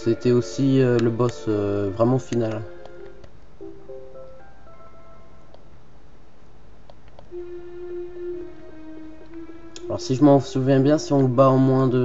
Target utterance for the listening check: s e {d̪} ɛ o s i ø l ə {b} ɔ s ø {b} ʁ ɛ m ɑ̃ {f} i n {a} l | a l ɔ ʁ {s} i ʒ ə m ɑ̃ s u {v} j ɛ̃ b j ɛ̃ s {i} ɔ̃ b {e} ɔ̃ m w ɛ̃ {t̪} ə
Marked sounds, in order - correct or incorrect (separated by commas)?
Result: incorrect, correct, incorrect, correct, correct, correct, correct, correct, incorrect, incorrect